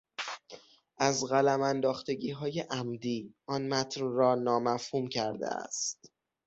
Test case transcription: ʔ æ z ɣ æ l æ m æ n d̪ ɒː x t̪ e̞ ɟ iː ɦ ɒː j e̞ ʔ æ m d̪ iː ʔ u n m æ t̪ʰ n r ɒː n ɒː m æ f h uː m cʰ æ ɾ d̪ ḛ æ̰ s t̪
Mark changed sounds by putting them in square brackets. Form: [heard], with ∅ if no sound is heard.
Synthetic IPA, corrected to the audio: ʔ æ z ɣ æ l æ m æ n d̪ ɒː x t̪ e̞ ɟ iː ɦ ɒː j e̞ ʔ æ m d̪ iː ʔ [ɒ] n m æ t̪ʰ n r ɒː n ɒː m æ f h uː m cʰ æ ɾ d̪ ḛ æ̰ s t̪